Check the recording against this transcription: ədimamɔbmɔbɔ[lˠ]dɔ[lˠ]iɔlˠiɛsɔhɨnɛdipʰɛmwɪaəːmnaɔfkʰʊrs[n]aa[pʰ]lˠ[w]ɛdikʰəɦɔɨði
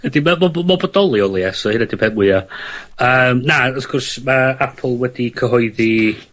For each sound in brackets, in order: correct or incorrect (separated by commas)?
incorrect, correct, incorrect, correct, correct